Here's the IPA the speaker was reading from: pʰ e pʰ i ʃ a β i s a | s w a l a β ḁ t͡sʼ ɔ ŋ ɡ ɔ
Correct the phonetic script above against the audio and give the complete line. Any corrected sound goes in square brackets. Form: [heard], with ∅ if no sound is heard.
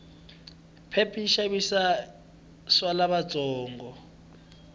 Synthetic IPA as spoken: pʰ e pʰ i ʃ a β i s a | s w a l a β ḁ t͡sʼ [ɔː] ŋ ɡ ɔ